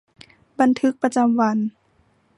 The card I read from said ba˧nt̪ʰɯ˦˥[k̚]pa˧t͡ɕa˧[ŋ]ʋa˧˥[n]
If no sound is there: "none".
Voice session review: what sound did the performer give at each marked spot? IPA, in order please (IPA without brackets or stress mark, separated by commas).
k̚, m, n